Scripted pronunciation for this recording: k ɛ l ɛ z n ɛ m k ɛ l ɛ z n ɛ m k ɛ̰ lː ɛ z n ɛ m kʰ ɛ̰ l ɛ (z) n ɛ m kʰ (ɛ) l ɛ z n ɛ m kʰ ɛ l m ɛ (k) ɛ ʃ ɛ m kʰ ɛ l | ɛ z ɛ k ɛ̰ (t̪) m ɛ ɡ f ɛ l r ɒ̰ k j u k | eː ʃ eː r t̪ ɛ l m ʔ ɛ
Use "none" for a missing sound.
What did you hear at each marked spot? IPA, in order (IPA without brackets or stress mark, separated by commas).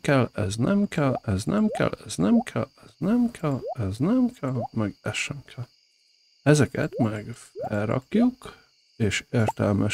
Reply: z, ɛ, ɡ, t̪